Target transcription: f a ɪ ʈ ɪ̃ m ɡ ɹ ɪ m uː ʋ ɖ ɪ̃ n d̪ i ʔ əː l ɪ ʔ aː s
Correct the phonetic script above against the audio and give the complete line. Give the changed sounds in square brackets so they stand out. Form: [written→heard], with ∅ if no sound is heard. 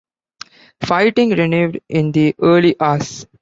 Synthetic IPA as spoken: f a ɪ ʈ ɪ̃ [m→ŋ] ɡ [ɹ→ɾ] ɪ [m→n] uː ʋ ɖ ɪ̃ n d̪ i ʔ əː l [ɪ→i] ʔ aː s